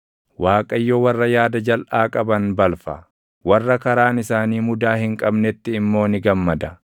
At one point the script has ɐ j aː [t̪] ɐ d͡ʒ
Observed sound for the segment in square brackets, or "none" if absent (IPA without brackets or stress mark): d̪